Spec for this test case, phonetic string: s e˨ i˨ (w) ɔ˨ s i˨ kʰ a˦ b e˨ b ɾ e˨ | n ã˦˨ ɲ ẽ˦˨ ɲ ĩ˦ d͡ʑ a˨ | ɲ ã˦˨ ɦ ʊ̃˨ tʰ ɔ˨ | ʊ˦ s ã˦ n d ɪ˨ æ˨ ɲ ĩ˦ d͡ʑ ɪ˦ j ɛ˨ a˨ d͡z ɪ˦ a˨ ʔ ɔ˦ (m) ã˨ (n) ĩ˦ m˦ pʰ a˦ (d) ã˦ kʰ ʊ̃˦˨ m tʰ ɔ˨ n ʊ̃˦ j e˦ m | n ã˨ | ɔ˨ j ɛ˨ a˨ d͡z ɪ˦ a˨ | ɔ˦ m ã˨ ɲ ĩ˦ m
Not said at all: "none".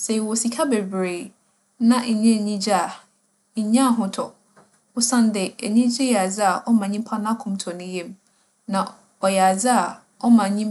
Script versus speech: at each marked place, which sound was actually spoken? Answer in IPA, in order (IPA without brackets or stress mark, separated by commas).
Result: w, m, ɲ, n